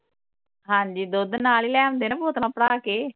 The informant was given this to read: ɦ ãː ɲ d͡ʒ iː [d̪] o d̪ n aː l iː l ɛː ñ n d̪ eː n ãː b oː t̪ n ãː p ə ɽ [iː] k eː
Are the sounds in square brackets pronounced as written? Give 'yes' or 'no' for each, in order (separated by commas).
yes, no